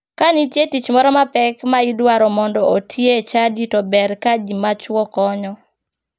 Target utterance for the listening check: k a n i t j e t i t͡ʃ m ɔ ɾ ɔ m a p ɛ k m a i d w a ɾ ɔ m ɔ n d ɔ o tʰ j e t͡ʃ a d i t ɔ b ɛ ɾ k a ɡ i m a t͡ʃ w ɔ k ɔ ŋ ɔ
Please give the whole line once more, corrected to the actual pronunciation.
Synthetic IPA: k a n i t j e t i t͡ʃ m ɔ ɾ ɔ m a p ɛ k m a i d w a ɾ ɔ m ɔ n d ɔ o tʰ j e t͡ʃ a d i t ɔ b ɛ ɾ k a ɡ i m a t͡ʃ w ɔ k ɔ ɲ ɔ